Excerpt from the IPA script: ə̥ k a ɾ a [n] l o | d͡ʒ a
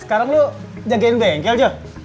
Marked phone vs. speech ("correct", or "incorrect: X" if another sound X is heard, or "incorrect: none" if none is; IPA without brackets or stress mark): incorrect: ŋ